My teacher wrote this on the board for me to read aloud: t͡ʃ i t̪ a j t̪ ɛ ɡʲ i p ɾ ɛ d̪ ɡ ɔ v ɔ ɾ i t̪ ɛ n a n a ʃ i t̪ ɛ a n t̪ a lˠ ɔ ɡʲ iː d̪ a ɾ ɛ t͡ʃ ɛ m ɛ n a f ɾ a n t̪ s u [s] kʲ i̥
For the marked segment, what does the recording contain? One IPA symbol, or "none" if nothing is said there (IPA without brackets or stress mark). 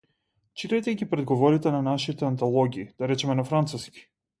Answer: s